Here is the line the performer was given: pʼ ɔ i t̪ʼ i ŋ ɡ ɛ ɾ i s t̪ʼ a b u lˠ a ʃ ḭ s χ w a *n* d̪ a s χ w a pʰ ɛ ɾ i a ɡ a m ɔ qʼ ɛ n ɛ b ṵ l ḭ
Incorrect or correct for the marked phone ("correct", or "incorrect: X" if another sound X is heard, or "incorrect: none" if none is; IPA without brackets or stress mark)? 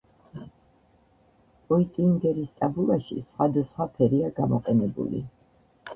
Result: incorrect: none